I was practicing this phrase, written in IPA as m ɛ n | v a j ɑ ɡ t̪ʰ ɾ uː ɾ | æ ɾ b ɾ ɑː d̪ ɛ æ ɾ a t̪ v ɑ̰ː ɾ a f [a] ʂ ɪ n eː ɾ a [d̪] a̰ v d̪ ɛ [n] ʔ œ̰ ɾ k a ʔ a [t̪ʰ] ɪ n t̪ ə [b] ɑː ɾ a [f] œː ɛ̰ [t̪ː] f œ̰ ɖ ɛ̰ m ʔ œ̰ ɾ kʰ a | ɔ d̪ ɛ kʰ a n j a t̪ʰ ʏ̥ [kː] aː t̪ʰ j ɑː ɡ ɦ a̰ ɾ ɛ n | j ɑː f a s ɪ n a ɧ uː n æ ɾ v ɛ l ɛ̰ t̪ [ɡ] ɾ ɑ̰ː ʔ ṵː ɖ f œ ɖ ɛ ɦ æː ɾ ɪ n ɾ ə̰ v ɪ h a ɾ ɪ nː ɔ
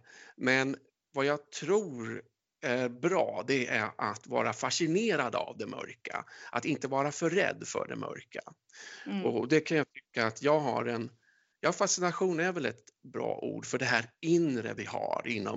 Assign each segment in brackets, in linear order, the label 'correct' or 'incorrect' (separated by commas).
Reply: correct, correct, incorrect, incorrect, incorrect, correct, incorrect, correct, incorrect